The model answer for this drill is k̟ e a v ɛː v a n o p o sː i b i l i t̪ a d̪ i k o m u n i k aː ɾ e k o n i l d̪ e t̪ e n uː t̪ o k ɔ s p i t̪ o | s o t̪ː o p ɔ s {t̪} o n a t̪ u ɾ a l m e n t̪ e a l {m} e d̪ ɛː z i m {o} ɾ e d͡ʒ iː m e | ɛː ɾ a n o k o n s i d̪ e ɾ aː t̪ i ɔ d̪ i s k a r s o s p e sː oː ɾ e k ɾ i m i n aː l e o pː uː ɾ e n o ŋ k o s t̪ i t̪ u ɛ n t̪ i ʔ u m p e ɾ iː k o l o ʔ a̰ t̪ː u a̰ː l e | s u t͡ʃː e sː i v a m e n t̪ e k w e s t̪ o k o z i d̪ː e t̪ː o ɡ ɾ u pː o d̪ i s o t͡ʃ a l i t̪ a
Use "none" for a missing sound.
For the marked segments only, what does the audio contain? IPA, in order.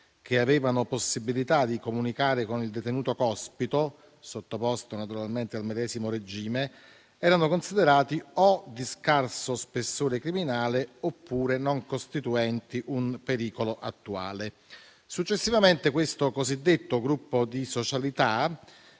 t̪, m, o

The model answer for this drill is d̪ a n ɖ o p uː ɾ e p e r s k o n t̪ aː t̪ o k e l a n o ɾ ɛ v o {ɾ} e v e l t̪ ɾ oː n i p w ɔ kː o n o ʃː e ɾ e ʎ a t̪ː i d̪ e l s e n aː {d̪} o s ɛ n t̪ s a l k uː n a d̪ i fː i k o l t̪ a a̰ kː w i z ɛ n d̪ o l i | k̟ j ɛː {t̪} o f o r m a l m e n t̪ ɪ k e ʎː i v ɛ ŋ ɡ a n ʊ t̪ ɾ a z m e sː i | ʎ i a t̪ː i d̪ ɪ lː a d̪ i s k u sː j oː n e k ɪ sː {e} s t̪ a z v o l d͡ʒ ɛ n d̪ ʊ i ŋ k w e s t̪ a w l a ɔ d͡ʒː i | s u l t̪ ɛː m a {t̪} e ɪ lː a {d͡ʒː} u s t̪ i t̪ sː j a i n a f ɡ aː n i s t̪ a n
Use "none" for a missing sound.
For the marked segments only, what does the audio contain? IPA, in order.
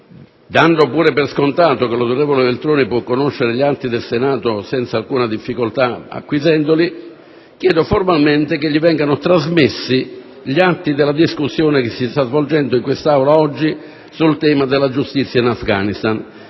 l, t̪, d̪, i, d̪, d͡ʒ

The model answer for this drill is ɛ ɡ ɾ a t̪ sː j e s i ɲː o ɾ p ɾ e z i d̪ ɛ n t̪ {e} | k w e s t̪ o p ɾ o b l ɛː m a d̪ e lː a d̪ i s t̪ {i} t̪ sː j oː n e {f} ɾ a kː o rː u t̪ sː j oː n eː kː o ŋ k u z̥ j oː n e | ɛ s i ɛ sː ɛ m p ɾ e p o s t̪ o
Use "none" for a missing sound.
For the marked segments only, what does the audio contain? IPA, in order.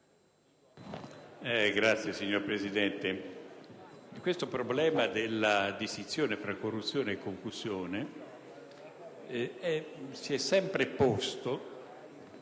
e, i, f

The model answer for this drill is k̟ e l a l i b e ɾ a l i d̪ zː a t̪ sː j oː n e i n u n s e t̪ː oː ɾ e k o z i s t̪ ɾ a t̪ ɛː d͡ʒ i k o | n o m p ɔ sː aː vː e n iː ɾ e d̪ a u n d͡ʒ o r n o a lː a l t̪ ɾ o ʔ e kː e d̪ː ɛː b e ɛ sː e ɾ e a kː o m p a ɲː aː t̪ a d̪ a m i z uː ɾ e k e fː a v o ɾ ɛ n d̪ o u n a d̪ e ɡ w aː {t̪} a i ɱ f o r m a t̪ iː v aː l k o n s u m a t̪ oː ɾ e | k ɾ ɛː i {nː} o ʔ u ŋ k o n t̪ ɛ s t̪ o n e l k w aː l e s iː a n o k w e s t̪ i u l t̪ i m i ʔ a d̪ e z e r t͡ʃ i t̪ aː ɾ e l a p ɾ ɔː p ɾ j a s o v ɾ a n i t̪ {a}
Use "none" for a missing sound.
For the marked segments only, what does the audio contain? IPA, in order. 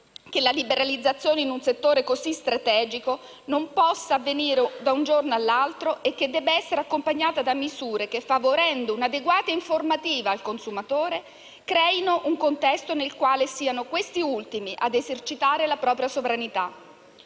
t̪, n, a

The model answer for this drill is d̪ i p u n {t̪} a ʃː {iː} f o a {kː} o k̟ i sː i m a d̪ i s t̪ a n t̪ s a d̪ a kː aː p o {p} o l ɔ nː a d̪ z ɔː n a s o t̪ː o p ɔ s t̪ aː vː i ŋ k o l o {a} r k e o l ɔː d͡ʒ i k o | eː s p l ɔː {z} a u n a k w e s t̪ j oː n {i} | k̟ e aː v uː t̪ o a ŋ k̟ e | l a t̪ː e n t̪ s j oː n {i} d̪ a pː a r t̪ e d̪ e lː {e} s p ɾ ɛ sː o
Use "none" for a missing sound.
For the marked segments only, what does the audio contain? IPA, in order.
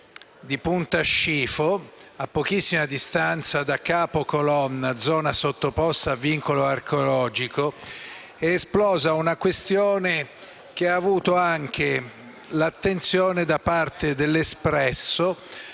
t̪, iː, pː, k, a, z, e, e, e

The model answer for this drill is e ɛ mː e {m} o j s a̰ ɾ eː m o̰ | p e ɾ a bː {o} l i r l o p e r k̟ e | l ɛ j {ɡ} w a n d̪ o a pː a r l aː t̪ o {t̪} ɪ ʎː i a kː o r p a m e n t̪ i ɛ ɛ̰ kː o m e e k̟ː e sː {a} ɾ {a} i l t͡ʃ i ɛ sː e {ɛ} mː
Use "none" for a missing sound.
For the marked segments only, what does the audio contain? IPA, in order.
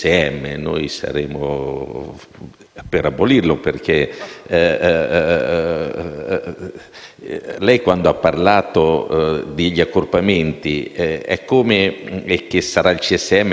n, o, k, d̪, a, a, ɛ

